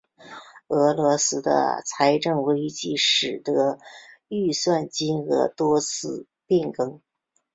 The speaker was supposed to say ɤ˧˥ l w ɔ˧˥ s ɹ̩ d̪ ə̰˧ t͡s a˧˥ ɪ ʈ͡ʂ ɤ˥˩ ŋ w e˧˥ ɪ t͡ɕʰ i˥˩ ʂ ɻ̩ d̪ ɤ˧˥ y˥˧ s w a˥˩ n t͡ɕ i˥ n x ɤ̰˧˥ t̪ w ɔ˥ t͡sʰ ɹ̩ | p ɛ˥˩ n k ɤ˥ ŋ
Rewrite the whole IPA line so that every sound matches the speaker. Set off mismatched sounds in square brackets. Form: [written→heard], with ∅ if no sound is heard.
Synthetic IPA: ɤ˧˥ l w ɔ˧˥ s ɹ̩ d̪ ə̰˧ [t͡s→t͡sʰ] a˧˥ ɪ ʈ͡ʂ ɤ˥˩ ŋ w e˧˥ ɪ [t͡ɕʰ→t͡ɕ] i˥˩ ʂ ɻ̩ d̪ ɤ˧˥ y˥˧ s w a˥˩ n t͡ɕ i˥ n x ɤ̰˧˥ t̪ w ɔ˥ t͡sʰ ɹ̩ | p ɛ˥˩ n k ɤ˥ ŋ